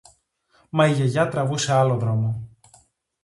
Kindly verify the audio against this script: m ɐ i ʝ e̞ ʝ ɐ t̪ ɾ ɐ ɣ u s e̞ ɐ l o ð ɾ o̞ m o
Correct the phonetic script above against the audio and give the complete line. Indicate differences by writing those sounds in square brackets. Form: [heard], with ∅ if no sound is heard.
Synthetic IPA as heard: m ɐ i ʝ e̞ ʝ ɐ t̪ ɾ ɐ [v] u s e̞ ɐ l o ð ɾ o̞ m o